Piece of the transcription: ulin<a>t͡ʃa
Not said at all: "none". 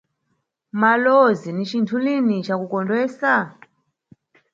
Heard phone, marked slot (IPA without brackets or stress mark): i